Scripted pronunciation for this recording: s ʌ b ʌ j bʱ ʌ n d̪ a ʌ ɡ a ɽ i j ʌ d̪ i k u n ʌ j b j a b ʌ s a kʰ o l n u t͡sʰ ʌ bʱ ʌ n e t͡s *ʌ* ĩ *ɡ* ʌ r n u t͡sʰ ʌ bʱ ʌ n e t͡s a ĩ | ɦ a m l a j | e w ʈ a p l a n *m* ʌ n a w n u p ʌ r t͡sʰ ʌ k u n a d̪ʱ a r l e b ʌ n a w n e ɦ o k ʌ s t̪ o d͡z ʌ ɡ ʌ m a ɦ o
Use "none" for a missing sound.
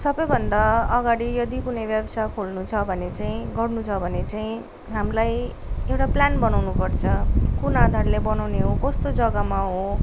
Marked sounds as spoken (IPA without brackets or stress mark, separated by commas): a, ɡ, b